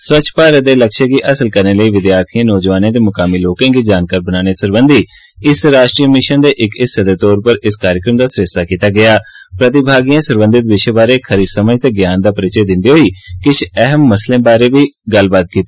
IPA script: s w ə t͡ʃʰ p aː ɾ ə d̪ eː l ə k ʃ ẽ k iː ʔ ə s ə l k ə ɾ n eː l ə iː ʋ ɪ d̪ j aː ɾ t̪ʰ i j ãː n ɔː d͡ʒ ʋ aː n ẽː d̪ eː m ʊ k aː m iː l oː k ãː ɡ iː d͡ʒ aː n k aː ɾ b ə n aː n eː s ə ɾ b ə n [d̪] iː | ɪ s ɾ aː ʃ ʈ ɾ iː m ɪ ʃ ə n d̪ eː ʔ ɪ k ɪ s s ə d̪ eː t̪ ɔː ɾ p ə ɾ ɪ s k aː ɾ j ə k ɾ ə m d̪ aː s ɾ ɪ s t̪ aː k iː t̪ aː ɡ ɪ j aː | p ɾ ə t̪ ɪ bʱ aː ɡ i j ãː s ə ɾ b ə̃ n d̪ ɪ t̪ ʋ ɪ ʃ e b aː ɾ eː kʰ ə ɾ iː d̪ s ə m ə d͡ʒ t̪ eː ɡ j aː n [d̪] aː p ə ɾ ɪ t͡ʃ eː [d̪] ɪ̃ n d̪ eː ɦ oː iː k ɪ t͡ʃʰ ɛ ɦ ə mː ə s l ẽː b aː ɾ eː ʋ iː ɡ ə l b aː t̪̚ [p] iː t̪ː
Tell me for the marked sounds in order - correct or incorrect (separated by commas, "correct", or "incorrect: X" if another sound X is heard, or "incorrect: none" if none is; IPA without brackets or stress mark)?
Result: correct, correct, correct, incorrect: k